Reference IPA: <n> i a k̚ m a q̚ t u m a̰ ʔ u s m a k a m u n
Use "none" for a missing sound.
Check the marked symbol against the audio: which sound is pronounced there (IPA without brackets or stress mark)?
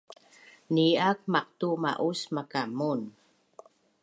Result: n